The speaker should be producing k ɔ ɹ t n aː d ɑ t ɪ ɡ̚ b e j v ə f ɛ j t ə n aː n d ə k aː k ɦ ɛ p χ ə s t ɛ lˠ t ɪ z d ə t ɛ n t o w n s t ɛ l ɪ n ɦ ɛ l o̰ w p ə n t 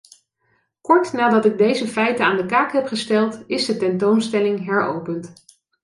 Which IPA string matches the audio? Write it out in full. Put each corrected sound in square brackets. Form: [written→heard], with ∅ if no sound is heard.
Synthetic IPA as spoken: k ɔ ɹ t n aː d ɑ t ɪ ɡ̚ [b→d] e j [v→z] ə f ɛ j t ə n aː n d ə k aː k ɦ ɛ p χ ə s t ɛ lˠ t ɪ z d ə t ɛ n t o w n s t ɛ l ɪ [n→ŋ] ɦ ɛ [l→ɹ] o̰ w p ə n t